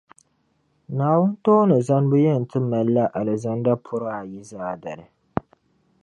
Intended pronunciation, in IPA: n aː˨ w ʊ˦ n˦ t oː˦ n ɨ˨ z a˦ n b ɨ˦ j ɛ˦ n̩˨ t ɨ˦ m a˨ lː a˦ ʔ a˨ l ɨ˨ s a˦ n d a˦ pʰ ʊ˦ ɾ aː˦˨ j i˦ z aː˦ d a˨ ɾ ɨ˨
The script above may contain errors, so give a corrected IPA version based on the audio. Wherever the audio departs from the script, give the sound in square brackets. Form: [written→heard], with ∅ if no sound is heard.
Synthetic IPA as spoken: n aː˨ w ʊ˦ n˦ t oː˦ n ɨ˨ z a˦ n b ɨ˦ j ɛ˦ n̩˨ t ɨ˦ m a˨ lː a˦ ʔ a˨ l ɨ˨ [s→z] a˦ n d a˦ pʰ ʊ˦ ɾ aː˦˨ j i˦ z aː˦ d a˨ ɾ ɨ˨